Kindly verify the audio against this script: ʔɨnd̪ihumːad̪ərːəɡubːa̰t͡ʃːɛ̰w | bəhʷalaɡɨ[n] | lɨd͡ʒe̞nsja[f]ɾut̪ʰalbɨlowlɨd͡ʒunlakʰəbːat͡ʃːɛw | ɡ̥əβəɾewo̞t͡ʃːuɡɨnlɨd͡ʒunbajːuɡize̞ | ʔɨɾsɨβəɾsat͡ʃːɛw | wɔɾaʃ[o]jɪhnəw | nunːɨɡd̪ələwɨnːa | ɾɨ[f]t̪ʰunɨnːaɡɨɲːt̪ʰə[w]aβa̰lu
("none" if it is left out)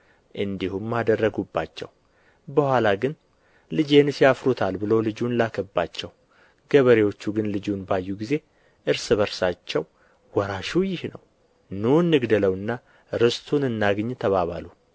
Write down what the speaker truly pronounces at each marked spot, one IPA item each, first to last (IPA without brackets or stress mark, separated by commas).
n, f, u, s, β